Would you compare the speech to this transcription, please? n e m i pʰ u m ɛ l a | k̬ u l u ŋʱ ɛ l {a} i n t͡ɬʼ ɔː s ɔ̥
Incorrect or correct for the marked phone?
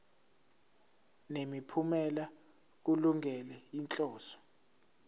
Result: incorrect: ɛ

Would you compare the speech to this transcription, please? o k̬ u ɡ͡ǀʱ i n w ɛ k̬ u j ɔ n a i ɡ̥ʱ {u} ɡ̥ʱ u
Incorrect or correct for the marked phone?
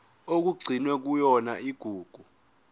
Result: incorrect: uː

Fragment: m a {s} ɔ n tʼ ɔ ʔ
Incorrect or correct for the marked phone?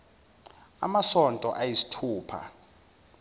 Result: correct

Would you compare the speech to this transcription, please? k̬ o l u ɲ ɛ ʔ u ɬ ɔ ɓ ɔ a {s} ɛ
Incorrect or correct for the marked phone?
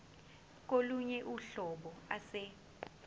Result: correct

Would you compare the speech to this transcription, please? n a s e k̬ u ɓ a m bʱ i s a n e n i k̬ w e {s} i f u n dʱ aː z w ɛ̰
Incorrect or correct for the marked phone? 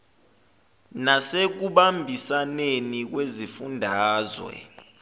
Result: incorrect: z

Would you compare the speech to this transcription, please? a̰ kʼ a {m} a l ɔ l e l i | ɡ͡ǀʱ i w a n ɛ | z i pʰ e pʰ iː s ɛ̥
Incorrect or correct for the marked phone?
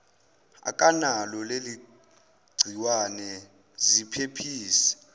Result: incorrect: n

